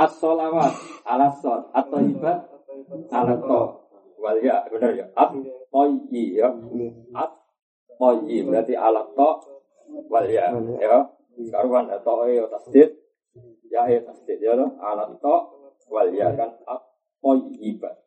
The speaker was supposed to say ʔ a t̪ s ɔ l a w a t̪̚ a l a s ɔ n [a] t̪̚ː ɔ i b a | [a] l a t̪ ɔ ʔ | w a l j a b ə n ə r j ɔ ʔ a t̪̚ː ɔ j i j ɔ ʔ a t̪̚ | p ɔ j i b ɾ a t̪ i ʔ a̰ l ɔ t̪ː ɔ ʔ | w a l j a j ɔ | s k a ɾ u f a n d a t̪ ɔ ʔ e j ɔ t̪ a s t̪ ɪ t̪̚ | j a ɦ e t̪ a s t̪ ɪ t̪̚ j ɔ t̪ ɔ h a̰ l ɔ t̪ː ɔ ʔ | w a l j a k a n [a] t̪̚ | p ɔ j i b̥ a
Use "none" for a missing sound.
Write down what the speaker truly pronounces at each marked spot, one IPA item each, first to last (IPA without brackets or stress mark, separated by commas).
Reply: a, a, a